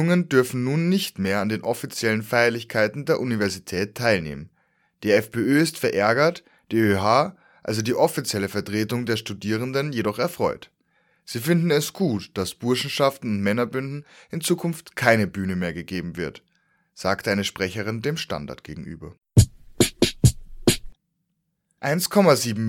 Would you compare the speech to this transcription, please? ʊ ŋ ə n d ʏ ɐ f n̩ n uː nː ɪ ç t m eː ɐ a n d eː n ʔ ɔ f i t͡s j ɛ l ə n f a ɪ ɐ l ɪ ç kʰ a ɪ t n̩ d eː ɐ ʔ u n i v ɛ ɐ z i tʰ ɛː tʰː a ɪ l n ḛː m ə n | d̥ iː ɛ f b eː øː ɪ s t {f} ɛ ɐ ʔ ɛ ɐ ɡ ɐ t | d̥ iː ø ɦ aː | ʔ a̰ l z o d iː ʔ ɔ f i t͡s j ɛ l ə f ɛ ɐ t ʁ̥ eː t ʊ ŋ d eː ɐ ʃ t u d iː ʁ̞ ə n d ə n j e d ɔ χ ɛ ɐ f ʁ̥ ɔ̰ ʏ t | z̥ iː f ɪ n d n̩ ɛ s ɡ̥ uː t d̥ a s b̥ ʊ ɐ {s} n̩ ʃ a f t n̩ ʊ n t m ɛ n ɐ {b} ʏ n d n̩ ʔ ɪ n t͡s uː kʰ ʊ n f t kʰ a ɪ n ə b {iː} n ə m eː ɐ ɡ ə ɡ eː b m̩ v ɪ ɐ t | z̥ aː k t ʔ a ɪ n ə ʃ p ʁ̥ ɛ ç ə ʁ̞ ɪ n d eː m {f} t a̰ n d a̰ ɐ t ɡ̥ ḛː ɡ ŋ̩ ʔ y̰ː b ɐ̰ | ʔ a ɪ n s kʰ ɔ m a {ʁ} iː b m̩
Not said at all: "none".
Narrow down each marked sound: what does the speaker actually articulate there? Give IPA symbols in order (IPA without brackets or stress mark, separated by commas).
f, ʃ, b, yː, ʃ, z